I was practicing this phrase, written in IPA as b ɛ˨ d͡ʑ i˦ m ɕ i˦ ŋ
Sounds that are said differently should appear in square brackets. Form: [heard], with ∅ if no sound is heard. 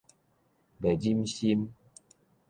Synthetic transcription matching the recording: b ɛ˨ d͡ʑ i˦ m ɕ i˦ [m]